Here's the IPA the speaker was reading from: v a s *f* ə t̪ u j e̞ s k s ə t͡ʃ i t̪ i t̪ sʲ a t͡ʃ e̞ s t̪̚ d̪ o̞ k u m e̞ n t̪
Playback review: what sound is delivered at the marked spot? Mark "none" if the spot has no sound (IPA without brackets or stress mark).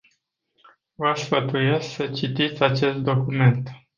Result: f